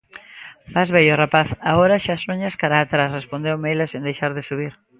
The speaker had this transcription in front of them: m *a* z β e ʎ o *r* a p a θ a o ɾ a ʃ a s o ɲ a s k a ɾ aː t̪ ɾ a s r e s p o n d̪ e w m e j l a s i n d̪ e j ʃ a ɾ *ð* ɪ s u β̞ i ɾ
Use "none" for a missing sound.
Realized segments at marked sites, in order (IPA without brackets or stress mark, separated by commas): a, r, ð